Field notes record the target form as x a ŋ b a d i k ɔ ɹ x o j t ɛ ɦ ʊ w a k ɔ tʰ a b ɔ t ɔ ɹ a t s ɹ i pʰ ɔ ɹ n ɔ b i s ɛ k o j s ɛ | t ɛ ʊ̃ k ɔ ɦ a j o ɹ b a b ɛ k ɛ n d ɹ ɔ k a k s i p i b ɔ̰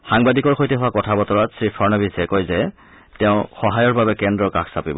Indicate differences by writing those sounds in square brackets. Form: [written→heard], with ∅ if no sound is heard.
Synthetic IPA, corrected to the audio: x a ŋ b a d i k ɔ ɹ x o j t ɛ ɦ ʊ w a k ɔ tʰ a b ɔ t ɔ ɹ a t s ɹ i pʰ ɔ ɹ n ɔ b i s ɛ k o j [s→z] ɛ | t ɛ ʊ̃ [k→x] ɔ ɦ a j [o→ɔ] ɹ b a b ɛ k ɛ n d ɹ ɔ k a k s [i→a] p i b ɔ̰